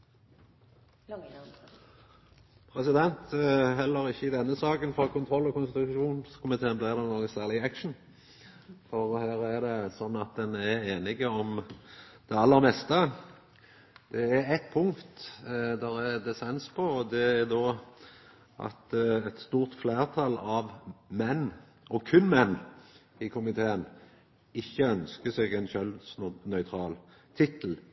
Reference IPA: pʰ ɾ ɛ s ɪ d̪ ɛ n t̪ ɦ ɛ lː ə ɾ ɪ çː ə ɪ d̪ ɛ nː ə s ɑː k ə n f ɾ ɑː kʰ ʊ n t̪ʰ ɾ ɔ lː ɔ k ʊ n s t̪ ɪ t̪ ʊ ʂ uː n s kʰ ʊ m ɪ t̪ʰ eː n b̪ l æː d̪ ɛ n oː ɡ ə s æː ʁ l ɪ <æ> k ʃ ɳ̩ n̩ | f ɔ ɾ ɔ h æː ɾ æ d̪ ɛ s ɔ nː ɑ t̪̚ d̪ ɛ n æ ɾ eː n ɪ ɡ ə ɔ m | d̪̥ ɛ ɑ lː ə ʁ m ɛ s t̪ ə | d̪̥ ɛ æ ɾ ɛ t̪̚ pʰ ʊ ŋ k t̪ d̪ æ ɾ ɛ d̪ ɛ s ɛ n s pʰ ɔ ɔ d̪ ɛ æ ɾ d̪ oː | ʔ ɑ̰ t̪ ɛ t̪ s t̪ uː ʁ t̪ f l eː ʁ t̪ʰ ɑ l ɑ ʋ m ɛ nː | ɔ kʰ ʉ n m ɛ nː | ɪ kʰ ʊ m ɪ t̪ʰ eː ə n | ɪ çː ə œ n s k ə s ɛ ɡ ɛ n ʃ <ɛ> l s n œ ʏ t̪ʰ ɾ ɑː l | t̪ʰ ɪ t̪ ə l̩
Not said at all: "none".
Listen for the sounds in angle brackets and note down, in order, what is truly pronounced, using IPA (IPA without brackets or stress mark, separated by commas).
æ, œ